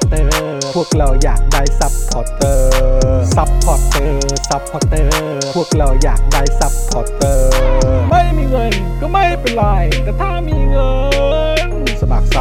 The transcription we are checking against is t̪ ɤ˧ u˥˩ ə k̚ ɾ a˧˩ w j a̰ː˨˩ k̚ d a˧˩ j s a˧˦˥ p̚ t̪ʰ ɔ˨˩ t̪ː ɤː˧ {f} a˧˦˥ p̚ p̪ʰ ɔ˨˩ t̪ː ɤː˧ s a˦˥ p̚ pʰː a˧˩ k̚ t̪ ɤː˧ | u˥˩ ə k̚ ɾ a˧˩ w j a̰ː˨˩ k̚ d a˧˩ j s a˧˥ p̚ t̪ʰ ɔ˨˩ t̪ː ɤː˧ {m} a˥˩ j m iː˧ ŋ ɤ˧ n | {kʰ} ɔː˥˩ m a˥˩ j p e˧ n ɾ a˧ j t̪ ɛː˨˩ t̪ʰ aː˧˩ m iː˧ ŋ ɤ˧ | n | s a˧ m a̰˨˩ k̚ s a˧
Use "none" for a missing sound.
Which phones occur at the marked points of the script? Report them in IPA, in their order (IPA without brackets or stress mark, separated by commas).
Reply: s, m, k